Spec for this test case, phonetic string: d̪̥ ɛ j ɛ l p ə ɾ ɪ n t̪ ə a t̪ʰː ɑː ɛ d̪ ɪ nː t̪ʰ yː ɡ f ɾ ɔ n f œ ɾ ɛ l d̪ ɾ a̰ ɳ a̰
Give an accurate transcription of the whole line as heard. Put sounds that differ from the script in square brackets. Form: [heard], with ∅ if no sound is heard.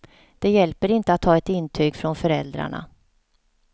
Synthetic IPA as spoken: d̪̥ ɛ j ɛ l p ə ɾ ɪ n t̪ ə a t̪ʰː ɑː ɛ [t̪] ɪ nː t̪ʰ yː ɡ f ɾ ɔ n f œ ɾ ɛ l d̪ ɾ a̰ ɳ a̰